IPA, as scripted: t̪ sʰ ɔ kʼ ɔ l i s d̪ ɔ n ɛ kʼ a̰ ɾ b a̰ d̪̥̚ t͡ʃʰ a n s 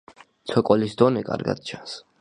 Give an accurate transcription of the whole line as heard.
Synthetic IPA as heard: t̪ sʰ ɔ kʼ ɔ l i s d̪ ɔ n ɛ kʼ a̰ ɾ ɡ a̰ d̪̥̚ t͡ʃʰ a n s